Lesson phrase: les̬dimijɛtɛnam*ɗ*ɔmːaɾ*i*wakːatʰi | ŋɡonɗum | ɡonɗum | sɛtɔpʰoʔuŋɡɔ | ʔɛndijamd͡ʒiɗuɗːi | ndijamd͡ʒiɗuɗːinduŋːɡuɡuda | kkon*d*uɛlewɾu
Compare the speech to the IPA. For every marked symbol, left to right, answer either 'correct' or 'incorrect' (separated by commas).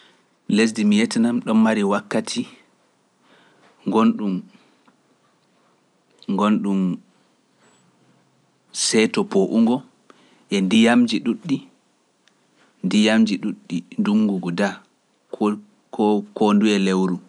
correct, correct, correct